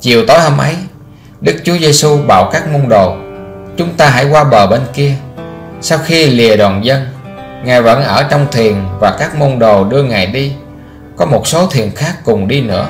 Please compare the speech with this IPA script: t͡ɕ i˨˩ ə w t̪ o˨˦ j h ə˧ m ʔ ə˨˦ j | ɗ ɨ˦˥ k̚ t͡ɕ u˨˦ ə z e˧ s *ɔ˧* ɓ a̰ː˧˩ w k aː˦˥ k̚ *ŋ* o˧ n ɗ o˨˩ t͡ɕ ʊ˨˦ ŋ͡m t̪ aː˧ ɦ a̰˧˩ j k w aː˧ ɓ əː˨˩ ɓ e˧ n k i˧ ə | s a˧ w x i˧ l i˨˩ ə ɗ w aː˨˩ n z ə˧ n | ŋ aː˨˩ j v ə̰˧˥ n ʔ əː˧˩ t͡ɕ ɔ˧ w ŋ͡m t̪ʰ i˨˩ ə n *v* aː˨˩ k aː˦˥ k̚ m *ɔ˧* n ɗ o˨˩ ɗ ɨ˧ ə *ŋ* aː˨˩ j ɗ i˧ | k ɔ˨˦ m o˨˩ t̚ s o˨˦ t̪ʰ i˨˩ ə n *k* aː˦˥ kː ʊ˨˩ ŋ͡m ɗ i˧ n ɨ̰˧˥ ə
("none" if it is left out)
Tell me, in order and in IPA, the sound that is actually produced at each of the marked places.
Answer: u˧, m, v, o˧, ŋ, x

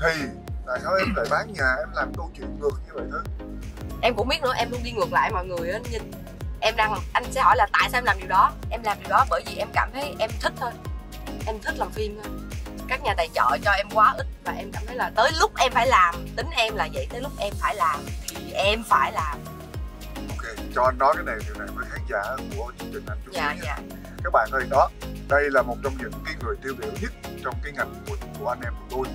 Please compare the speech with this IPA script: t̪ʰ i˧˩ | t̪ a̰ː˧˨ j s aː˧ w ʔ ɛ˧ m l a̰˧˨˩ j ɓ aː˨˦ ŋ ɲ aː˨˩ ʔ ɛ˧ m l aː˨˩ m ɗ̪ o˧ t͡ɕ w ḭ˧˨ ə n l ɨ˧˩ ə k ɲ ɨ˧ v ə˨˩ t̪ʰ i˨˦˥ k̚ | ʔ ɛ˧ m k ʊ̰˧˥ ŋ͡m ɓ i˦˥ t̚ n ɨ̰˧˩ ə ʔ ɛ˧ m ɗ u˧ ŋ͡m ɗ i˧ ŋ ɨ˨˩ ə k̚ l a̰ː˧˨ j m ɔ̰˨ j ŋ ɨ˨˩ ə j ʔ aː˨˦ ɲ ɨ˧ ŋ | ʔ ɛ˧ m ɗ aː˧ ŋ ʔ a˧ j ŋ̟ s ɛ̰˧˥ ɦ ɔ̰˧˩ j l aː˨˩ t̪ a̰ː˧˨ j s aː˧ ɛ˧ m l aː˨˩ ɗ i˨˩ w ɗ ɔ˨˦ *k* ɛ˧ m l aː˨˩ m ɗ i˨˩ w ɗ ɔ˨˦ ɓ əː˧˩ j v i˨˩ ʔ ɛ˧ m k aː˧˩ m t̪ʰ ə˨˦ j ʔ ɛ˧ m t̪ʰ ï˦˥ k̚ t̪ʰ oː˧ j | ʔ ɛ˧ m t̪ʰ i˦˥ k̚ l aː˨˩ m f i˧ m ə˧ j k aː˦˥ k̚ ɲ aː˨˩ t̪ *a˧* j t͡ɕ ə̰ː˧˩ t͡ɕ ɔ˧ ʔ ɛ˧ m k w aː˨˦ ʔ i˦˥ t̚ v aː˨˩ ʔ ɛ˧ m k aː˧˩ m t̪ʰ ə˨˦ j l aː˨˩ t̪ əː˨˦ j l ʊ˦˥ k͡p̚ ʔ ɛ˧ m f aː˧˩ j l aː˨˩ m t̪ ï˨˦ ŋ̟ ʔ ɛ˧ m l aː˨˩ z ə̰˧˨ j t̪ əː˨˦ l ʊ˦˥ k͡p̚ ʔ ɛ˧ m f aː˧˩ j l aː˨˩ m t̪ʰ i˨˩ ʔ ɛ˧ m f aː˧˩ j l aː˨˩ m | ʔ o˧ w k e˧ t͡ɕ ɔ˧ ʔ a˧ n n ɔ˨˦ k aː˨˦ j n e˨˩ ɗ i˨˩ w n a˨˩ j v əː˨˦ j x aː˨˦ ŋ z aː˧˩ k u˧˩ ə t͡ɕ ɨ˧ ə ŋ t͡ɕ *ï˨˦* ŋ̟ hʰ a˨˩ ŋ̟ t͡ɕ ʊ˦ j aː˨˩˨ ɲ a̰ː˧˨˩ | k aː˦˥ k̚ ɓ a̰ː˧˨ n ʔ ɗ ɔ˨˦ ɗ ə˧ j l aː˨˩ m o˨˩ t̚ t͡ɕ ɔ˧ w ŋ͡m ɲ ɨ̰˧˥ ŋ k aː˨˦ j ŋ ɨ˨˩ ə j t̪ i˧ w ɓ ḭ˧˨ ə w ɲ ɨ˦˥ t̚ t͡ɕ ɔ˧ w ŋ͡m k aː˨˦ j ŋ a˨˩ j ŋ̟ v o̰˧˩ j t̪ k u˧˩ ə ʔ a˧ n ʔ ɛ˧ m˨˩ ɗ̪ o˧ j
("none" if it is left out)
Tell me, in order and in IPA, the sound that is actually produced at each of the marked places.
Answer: ʔ, a˨˩, ï˨˩

